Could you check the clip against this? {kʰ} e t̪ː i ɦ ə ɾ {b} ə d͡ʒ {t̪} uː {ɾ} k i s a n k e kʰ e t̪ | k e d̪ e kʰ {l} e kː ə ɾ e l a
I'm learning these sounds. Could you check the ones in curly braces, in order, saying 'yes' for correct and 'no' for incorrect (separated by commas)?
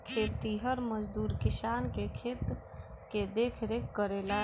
yes, no, no, yes, no